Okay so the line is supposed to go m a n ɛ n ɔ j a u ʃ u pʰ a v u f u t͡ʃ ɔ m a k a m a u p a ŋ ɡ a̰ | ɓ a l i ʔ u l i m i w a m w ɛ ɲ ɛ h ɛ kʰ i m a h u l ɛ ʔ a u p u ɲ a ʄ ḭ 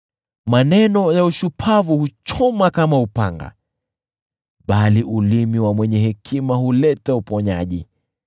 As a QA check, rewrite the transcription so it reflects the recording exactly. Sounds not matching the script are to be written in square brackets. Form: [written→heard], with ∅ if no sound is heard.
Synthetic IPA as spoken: m a n ɛ n ɔ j a u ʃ u pʰ a v u [f→h] u t͡ʃ ɔ m a k a m a u p a ŋ ɡ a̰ | ɓ a l i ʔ u l i m i w a m w ɛ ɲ ɛ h ɛ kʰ i m a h u l ɛ [ʔ→t] a u p [u→ɔ] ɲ a ʄ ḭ